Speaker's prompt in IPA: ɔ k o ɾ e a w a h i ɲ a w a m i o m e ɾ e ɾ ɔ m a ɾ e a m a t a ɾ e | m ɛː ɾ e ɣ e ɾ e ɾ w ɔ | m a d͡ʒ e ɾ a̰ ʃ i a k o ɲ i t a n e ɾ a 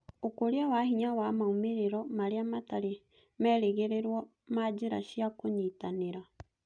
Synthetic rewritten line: o k o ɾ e a w a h i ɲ a w a m a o m e ɾ e ɾ ɔ m a ɾ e a m a t a ɾ e | m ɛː ɾ e ɣ e ɾ e ɾ w ɔ | m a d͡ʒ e ɾ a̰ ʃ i a k o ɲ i t a n e ɾ a